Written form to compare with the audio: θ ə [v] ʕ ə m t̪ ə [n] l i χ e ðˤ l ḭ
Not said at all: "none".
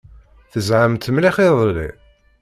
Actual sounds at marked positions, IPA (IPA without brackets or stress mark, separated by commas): z, m